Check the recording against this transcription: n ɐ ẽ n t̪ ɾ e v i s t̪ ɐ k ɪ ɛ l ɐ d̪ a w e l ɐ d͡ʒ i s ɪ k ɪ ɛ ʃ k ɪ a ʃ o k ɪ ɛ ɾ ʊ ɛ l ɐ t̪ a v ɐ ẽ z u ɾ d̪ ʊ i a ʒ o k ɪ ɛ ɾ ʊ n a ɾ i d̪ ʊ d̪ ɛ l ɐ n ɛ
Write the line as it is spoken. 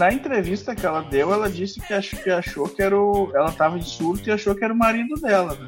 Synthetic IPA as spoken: n ɐ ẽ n t̪ ɾ e v i s t̪ ɐ k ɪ ɛ l ɐ d̪ e w ɛ l ɐ d͡ʒ i s ɪ k ɪ a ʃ k ɪ a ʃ o k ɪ ɛ ɾ ʊ ɛ l ɐ t̪ a v ɐ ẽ s u ɾ t̪ ʊ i a ʃ o k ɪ ɛ ɾ ʊ m a ɾ i d̪ ʊ d̪ ɛ l ɐ n ɛ